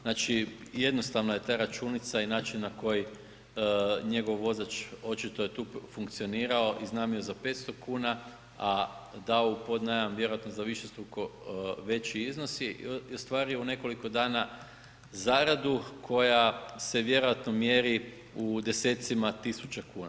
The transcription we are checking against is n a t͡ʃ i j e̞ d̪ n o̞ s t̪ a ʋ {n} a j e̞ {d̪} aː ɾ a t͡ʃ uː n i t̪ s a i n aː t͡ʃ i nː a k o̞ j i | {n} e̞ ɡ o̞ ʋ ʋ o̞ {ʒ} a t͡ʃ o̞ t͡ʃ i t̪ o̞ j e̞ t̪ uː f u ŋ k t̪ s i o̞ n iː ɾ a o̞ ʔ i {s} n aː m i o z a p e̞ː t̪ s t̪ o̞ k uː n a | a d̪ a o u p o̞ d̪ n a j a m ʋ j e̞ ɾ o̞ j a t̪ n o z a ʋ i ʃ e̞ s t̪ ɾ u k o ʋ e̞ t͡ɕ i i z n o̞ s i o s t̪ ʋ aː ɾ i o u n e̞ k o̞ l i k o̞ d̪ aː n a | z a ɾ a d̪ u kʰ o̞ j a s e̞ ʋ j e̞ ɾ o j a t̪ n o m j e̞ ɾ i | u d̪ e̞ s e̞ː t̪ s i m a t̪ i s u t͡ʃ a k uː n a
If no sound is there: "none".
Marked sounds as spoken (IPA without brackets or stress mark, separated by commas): n, t̪, ɲ, z, z